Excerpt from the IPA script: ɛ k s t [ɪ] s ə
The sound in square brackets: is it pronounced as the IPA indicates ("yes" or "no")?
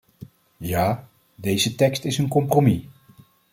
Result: yes